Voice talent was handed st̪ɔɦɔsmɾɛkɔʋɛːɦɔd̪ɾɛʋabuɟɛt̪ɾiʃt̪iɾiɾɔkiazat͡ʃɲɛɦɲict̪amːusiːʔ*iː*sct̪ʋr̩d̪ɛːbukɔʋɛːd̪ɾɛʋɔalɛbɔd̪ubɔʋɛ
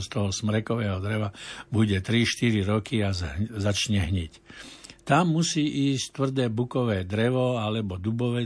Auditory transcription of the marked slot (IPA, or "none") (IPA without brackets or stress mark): iː